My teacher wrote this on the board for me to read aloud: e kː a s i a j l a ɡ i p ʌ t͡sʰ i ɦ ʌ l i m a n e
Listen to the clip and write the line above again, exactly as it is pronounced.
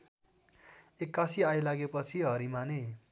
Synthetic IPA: e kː a s i a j l a ɡ e p ʌ t͡sʰ i ɦ ʌ ɾ i m a n e